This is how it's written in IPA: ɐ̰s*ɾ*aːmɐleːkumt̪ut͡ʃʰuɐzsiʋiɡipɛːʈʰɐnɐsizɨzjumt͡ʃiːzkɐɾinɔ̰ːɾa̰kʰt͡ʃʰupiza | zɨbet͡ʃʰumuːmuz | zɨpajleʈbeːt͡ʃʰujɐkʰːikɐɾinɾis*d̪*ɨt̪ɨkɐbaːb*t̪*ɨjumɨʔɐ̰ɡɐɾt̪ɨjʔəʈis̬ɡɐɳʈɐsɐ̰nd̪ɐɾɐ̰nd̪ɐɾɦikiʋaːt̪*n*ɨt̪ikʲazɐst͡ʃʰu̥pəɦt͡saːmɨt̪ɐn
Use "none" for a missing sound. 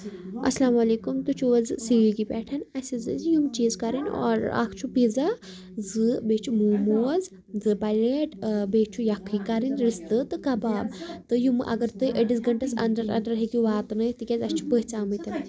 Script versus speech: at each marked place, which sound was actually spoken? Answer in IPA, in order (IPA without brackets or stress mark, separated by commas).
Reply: l, t̪, t̪, n